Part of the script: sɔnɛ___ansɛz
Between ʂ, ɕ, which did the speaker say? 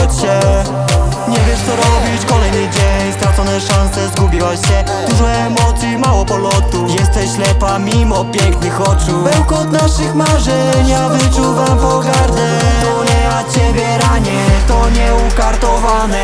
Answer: ʂ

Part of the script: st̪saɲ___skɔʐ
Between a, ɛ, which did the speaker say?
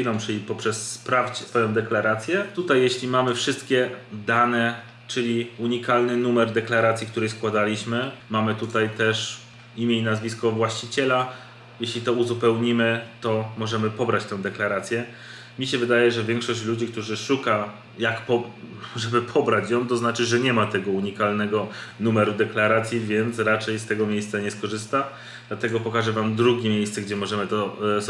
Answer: ɛ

